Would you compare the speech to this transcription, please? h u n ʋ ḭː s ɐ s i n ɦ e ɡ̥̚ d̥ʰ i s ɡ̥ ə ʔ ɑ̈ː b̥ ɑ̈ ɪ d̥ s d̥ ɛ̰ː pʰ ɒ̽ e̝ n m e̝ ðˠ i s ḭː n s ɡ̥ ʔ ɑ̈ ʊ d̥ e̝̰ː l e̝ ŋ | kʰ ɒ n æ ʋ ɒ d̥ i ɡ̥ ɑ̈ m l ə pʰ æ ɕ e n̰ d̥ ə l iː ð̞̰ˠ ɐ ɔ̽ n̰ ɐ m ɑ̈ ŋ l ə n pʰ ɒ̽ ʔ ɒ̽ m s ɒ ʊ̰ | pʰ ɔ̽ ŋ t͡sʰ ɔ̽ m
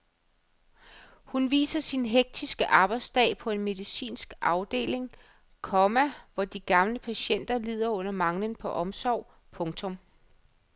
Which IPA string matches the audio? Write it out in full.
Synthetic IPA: h u n ʋ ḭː s ɐ s i n ɦ e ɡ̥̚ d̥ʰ i s ɡ̥ ə ʔ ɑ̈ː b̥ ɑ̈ ɪ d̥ s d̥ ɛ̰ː pʰ ɒ̽ e̝ n m e̝ ðˠ i s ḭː n s ɡ̥ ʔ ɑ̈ ʊ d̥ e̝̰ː l e̝ ŋ | kʰ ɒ m æ ʋ ɒ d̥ i ɡ̥ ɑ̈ m l ə pʰ æ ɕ e n̰ d̥ ɐ l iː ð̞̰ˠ ɐ ɔ̽ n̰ ɐ m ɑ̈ ŋ l ə n pʰ ɒ̽ ʔ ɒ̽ m s ɒ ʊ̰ | pʰ ɔ̽ ŋ t͡sʰ ɔ̽ m